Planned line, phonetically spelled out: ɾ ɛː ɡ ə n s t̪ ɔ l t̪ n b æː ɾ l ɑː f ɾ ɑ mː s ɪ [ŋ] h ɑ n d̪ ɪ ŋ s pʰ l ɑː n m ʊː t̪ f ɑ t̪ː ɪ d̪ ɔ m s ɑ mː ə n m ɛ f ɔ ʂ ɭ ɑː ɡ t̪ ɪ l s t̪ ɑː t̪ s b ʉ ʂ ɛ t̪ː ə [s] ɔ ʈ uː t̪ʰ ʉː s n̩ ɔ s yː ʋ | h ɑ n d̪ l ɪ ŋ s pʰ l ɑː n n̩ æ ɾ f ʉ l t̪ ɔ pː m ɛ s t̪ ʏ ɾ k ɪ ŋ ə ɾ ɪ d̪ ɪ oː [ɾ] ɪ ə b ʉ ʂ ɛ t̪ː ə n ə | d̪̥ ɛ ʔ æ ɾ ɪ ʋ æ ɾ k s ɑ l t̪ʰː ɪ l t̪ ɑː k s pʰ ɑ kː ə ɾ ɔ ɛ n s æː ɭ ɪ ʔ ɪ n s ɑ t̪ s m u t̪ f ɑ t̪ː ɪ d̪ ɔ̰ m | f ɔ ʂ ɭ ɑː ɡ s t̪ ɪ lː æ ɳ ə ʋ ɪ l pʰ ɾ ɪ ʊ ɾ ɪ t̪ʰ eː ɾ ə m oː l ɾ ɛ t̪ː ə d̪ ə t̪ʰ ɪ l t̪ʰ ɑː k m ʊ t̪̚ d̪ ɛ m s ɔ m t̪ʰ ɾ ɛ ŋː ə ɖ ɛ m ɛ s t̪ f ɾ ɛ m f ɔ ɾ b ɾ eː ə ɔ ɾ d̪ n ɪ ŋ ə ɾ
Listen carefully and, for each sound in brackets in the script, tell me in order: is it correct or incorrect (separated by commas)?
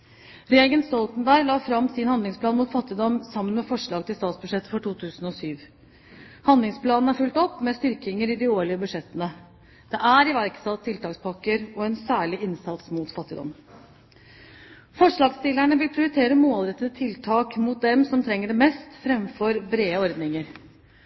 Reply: incorrect, incorrect, incorrect